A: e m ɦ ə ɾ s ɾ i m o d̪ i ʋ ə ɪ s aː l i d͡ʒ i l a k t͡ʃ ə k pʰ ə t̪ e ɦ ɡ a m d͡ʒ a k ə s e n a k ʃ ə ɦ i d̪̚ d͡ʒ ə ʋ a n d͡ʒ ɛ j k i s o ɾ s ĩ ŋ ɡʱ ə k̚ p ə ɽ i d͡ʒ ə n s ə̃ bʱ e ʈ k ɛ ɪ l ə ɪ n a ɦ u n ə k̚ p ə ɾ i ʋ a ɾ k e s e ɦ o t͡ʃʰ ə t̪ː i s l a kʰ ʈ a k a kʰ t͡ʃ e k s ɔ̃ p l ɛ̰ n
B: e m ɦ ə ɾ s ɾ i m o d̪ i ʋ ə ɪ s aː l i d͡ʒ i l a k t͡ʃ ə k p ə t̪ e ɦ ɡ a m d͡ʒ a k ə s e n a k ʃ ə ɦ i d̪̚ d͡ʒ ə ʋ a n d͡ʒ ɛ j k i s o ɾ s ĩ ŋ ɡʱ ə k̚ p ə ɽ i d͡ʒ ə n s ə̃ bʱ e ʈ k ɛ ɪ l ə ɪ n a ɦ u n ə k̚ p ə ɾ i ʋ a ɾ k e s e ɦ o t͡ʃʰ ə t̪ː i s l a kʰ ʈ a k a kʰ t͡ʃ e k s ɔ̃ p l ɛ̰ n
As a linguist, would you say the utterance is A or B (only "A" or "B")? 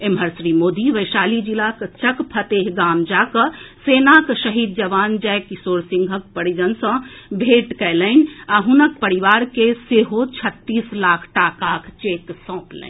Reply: A